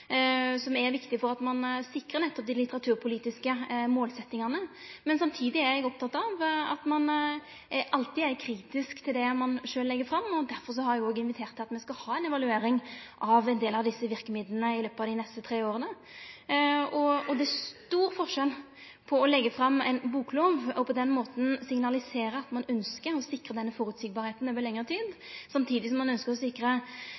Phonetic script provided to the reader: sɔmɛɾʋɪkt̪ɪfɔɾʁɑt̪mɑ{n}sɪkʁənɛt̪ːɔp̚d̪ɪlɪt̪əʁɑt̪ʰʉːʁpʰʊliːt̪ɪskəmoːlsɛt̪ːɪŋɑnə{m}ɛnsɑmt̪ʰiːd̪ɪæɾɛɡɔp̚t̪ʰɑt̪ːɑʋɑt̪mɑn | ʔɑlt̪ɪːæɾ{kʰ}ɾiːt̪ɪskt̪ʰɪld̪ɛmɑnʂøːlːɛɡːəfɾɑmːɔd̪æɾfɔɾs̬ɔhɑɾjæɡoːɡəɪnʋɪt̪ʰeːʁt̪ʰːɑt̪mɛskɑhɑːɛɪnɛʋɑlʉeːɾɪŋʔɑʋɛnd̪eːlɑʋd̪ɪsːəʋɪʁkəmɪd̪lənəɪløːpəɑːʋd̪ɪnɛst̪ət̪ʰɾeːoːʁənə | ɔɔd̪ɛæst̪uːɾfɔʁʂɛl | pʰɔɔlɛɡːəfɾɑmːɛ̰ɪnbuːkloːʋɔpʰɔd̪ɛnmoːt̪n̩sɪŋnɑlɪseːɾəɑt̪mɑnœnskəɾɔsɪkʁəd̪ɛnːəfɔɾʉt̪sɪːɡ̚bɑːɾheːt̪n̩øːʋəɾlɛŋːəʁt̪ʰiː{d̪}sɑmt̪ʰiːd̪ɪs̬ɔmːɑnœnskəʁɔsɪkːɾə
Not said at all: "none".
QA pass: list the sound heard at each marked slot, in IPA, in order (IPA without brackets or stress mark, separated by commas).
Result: n, m, kʰ, d̪